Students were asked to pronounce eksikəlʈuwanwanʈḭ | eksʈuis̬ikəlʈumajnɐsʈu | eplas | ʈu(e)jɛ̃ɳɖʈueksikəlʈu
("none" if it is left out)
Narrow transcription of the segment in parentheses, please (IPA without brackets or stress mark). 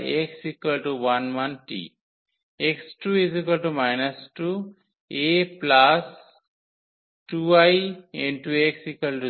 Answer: a